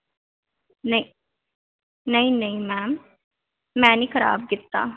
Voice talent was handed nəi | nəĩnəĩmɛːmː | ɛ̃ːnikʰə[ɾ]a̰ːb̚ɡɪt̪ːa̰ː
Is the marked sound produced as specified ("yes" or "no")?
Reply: yes